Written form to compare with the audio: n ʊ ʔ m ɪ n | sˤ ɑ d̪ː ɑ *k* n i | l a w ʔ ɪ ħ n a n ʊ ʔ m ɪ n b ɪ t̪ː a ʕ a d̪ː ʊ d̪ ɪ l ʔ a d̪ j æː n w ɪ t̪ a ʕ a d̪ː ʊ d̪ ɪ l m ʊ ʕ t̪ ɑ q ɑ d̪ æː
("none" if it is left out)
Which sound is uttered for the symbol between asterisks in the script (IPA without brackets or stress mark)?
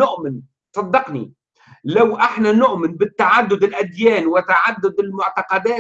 q